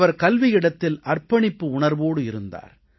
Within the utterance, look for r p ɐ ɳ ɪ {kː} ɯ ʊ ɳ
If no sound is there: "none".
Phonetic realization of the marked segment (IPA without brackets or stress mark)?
pː